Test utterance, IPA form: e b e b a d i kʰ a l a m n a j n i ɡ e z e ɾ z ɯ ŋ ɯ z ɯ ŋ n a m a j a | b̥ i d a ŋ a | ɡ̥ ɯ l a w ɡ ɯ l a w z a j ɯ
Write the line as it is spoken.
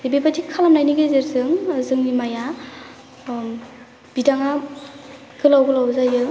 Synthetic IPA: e b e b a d i kʰ a l a m n a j n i ɡ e z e ɾ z ɯ ŋ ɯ z ɯ ŋ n i m a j a | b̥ i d a ŋ a | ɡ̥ ɯ l a w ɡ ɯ l a w z a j ɯ